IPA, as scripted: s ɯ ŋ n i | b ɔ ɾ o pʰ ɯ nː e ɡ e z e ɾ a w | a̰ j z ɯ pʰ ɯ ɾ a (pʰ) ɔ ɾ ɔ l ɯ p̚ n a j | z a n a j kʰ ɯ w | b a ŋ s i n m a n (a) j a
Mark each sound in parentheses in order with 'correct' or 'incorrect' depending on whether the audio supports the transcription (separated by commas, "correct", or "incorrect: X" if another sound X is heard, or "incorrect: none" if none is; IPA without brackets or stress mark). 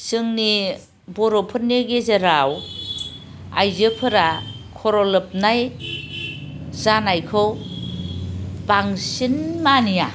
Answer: incorrect: kʰ, incorrect: i